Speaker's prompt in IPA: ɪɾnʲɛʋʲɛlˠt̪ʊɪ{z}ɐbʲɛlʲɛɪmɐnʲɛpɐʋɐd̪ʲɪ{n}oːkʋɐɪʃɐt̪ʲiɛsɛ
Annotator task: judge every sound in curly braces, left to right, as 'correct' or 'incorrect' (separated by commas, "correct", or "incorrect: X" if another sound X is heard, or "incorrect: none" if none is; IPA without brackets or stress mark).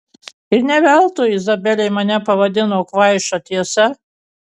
correct, correct